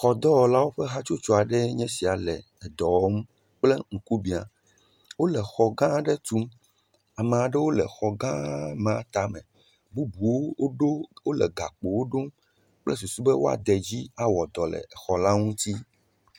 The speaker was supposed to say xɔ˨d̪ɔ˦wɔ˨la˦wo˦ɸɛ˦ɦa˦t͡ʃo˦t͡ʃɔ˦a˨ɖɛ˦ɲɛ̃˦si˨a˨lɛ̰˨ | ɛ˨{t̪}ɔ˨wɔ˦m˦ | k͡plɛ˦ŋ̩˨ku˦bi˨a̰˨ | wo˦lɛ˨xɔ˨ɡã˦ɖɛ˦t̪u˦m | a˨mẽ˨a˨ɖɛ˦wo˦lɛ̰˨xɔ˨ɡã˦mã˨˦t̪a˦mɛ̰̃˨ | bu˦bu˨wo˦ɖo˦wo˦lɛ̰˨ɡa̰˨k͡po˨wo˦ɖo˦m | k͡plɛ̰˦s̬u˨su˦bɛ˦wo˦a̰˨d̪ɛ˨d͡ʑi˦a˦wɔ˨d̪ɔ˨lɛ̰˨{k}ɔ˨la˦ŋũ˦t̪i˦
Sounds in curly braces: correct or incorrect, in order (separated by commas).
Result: incorrect, incorrect